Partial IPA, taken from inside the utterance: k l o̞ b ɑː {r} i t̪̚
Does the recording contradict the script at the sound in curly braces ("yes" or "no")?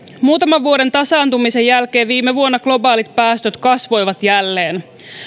yes